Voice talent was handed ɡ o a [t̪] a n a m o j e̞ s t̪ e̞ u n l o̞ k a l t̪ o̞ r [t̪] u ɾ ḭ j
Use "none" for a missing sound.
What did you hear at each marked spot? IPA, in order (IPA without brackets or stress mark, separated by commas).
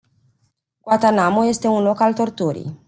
t̪, t̪